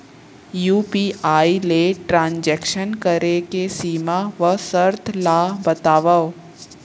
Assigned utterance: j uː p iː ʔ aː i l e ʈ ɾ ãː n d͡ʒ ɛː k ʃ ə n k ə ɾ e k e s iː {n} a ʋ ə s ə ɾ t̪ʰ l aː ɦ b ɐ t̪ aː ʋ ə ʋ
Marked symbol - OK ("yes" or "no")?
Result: no